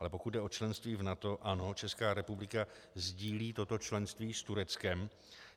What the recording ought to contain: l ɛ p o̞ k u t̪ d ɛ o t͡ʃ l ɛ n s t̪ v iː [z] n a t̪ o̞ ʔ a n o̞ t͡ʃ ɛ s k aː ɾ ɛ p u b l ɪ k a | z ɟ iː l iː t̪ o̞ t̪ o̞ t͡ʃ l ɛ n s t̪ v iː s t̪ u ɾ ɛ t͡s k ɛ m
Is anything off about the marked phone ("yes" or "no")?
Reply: yes